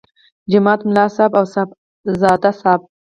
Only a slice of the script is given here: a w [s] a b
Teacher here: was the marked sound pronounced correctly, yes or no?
yes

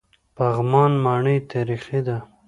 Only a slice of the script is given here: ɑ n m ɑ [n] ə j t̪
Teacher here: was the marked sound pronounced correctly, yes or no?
no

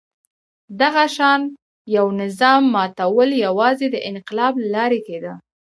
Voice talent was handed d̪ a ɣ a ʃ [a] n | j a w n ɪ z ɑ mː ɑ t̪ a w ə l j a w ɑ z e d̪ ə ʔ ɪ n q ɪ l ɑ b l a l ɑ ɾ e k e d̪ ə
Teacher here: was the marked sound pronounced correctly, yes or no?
no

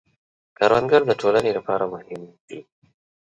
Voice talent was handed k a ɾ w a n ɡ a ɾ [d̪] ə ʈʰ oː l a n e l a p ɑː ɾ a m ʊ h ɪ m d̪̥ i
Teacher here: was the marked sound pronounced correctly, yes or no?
yes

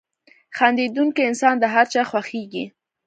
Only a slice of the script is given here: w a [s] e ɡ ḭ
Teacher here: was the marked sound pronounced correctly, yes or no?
no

